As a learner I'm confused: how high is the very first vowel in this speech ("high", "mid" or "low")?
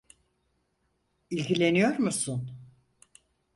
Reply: high